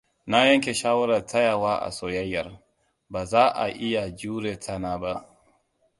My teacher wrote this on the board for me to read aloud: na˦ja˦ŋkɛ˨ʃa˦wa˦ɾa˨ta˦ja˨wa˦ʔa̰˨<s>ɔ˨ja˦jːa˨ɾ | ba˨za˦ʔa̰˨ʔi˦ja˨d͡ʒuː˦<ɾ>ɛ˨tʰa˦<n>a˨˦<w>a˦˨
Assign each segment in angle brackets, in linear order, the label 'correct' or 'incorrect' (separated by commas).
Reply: correct, correct, correct, incorrect